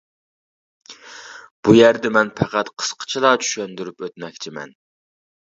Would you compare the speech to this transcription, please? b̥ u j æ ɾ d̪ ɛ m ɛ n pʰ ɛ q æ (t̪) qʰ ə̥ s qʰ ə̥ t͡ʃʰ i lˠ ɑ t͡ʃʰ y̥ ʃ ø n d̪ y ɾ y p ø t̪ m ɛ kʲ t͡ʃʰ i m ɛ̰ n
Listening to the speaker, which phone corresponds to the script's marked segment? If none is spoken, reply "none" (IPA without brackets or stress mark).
t̪